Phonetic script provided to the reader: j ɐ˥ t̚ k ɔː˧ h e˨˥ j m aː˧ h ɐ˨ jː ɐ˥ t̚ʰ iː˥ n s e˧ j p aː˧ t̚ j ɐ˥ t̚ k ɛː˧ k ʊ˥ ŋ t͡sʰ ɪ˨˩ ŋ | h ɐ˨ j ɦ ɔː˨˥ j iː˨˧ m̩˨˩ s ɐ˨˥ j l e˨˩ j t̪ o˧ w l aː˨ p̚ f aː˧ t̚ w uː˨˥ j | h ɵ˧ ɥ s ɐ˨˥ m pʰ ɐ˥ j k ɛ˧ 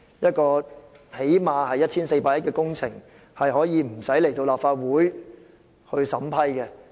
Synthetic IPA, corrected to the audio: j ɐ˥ t̚ k ɔː˧ h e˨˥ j m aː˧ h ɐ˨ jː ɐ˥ t̚ʰ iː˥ n s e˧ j p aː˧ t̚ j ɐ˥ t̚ k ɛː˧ k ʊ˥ ŋ t͡sʰ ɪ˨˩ ŋ | h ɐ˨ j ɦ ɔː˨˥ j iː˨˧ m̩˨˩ s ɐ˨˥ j l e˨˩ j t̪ o˧ w l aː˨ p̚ f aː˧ t̚ w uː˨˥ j | h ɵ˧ ɥ s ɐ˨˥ m pʰ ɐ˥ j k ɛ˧